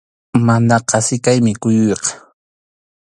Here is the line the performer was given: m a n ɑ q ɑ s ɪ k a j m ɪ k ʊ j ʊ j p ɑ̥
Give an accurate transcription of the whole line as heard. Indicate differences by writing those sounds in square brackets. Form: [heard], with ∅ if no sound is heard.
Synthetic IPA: m a n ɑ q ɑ s ɪ k a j m ɪ k ʊ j ʊ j [q] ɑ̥